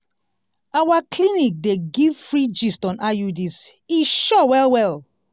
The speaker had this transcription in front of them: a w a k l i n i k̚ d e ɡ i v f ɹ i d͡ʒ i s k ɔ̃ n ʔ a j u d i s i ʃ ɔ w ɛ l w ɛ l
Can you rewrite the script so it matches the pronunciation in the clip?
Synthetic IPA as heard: a w a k l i n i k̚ d e ɡ i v f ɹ i d͡ʒ i s t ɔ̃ n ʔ a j u d i s i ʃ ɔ w ɛ l w ɛ l